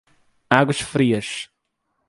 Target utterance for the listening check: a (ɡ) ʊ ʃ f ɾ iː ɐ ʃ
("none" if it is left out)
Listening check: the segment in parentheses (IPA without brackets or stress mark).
ɡ